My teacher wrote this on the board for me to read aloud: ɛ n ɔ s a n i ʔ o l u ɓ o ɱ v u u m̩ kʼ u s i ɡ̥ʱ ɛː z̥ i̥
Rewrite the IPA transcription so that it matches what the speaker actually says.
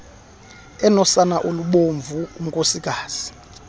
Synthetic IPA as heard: ɛ n ɔ s a n a ʔ o l u ɓ o ɱ v u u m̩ kʼ o s i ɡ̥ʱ aː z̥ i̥